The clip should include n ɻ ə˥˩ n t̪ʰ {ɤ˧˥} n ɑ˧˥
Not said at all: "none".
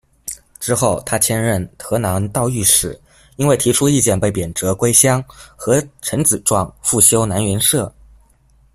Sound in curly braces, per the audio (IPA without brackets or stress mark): ɤ˧˥